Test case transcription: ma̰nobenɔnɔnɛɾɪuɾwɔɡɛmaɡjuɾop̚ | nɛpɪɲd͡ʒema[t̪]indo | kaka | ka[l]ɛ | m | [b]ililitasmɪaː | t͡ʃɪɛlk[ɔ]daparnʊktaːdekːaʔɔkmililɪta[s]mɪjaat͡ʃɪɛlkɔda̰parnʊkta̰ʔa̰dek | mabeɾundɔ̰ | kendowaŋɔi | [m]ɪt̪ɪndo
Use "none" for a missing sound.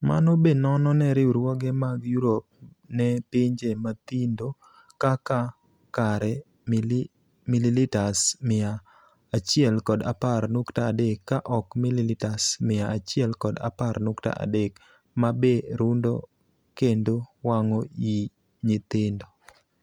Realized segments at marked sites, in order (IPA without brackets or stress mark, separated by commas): t̪, ɾ, m, ɔ, s, ɲ